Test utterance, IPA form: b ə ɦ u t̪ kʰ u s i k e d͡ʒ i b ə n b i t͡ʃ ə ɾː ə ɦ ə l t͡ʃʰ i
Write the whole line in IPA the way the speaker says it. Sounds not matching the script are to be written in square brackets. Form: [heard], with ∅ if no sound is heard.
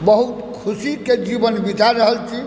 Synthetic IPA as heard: b ə ɦ u t̪ kʰ u s i k e d͡ʒ i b ə n b i t͡ʃ [a] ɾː ə ɦ ə l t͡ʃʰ i

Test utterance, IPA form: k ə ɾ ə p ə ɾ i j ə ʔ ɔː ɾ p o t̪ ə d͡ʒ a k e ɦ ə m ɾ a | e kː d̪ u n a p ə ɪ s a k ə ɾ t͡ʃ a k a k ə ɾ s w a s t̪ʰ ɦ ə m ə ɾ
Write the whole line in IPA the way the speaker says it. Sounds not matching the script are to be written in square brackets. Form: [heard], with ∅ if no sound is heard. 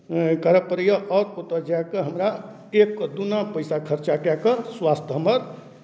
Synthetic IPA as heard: k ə ɾ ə p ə ɾ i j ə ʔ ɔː ɾ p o t̪ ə d͡ʒ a k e ɦ ə m ɾ a | e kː d̪ u n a p ə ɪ s a [kʰ] ə ɾ t͡ʃ a k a k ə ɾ s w a s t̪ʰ ɦ ə m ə ɾ

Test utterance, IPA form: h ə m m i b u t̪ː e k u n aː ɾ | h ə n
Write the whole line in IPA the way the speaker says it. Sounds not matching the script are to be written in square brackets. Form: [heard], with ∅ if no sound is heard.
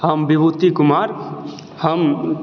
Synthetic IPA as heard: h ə m [b] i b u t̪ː [i] k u [m] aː ɾ | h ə [m]

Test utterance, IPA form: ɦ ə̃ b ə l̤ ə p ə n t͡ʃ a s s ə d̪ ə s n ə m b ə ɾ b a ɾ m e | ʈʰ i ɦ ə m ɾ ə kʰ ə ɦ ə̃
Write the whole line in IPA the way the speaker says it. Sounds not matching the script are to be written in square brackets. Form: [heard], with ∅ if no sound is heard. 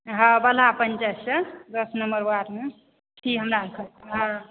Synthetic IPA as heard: ɦ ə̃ b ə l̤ [a] p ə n t͡ʃ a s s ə d̪ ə s n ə m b ə ɾ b a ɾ m e | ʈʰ i ɦ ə m ɾ [a] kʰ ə ɦ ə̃

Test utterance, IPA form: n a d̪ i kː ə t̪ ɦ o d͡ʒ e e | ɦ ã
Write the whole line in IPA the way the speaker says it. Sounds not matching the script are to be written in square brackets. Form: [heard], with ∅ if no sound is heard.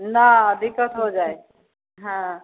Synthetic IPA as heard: n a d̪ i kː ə t̪ ɦ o d͡ʒ [a] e | ɦ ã

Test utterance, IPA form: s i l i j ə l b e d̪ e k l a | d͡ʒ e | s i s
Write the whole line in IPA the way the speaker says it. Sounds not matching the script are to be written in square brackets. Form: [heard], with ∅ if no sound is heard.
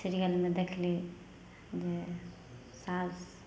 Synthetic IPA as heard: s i [ɾ] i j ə l [m] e d̪ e [kʰ] l [i] | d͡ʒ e | s [a] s

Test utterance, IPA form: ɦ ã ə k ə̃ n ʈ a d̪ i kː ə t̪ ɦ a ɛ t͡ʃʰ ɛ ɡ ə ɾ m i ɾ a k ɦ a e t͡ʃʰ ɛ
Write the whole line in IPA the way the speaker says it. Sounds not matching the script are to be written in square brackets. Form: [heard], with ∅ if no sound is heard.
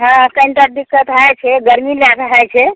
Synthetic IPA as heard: ɦ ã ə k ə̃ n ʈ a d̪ i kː ə t̪ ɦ a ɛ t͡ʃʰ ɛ ɡ ə ɾ m i [l] a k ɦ a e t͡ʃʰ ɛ

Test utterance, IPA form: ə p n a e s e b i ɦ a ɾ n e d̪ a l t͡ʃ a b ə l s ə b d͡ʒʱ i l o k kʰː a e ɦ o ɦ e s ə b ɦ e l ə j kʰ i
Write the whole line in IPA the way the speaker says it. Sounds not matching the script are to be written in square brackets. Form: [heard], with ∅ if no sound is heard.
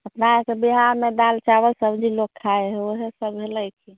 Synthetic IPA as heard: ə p n a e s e b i ɦ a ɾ [m] e d̪ a l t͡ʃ a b ə l s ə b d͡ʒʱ i l o k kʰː a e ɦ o ɦ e s ə b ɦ e l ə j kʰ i

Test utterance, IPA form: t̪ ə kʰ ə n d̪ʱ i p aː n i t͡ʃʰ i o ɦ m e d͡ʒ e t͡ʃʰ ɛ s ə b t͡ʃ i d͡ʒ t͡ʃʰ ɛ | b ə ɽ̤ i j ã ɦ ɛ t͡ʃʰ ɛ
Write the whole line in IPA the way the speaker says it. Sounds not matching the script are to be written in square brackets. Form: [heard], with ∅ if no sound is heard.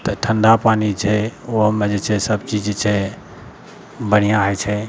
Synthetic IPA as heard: t̪ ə [ʈʰ] ə n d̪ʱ [a] p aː n i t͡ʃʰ [ɛ] o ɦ m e d͡ʒ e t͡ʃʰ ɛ s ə b t͡ʃ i d͡ʒ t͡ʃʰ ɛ | b ə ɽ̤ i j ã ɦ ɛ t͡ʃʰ ɛ

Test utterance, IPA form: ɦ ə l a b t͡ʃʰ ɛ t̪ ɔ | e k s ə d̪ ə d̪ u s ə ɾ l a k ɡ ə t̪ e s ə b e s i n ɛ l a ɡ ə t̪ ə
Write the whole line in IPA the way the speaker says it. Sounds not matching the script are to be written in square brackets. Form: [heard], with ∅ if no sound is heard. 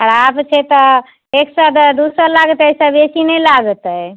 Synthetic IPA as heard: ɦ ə [ɾ] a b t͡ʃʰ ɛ t̪ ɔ | e k s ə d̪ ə d̪ u s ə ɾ l a [∅] ɡ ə t̪ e s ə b e s i n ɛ l a ɡ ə t̪ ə

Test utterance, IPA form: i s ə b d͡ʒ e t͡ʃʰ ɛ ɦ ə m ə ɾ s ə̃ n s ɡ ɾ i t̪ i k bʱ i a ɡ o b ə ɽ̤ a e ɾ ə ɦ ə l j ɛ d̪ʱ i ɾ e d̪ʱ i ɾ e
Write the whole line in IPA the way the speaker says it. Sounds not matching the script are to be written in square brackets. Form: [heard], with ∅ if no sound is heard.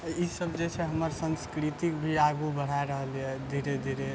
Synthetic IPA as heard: i s ə b d͡ʒ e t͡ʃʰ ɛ ɦ ə m ə ɾ s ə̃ n s [k] ɾ i t̪ i k bʱ i a ɡ [u] b ə ɽ̤ a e ɾ ə ɦ ə l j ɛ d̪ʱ i ɾ e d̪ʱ i ɾ e

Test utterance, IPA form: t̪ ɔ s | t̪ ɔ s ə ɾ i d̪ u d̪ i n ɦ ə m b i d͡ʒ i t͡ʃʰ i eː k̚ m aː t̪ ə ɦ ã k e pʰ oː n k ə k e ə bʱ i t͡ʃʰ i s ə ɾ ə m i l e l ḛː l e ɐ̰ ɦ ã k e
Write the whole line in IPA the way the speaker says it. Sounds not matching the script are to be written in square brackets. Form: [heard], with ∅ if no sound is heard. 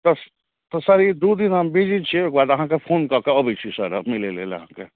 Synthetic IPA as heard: t̪ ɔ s | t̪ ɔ s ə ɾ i d̪ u d̪ i n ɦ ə m b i d͡ʒ i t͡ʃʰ i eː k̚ [b] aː [d̪] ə ɦ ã k e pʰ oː n k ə k e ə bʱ i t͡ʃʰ i s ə ɾ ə m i l e l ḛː l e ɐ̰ ɦ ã k e

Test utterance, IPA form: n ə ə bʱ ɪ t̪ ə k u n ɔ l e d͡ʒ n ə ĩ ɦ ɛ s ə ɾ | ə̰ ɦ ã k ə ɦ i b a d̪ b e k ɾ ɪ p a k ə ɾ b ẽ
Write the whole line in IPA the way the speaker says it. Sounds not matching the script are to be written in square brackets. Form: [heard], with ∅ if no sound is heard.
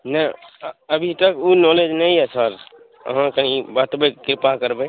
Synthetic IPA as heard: n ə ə bʱ [i] t̪ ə k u n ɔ l e d͡ʒ n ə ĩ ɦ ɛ s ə ɾ | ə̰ ɦ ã k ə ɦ i b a [t̪] b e k ɾ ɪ p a k ə ɾ b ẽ

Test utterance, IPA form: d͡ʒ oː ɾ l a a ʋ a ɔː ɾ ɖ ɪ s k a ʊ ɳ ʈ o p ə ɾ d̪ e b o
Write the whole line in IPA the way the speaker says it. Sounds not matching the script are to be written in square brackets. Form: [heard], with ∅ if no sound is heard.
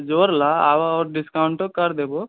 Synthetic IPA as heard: d͡ʒ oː ɾ l a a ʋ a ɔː ɾ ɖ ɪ s k a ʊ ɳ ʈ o [k] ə ɾ d̪ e b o

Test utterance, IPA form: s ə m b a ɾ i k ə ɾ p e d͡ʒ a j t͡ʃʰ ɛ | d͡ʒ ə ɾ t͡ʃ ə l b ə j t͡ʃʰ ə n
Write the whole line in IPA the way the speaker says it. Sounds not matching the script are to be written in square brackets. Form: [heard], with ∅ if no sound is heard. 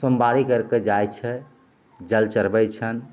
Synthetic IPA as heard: s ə m b a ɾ i k ə ɾ [k] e d͡ʒ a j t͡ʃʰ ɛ | d͡ʒ ə [l] t͡ʃ ə [ɾ] b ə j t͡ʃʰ ə n

